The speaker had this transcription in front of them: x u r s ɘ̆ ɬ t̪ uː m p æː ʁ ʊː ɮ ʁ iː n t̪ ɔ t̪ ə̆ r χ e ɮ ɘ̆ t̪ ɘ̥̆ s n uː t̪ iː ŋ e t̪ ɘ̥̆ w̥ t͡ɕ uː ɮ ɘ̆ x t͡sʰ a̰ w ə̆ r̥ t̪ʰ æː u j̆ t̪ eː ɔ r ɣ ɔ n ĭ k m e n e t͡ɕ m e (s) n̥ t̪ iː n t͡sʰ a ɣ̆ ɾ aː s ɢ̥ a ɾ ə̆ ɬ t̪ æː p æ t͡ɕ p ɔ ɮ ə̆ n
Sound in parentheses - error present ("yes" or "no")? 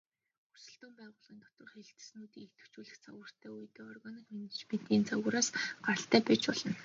yes